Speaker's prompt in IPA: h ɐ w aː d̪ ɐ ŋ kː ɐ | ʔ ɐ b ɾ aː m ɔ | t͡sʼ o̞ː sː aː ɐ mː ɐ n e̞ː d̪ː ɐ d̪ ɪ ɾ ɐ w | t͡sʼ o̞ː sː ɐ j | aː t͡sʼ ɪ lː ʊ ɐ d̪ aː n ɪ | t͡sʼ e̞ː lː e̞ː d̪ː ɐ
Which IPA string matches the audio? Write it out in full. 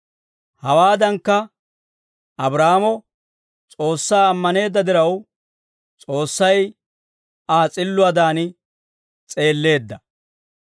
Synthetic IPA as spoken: h ɐ w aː d̪ ɐ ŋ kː ɐ | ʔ ɐ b ɾ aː m ɔ | t͡sʼ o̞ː sː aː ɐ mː ɐ n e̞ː d̪ː ɐ d̪ ɪ ɾ ɐ w | t͡sʼ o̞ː sː ɐ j | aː t͡sʼ ɪ lː ʊ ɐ d̪ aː n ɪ | t͡sʼ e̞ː lː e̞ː d̪ː ɐ